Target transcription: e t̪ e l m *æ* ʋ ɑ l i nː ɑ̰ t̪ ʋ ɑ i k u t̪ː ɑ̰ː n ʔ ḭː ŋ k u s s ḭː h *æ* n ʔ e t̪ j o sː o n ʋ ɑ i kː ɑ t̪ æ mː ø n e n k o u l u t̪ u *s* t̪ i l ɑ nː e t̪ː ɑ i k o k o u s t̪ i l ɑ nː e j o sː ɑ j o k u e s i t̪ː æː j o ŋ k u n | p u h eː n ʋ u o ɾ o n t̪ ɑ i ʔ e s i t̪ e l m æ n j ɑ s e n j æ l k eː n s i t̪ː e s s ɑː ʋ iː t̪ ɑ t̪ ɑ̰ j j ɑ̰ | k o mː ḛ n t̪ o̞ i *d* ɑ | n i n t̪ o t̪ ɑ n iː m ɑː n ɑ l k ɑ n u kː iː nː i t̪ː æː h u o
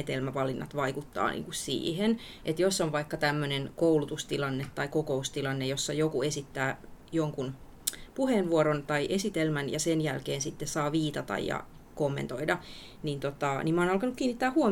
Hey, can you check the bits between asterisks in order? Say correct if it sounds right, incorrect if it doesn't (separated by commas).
correct, incorrect, correct, correct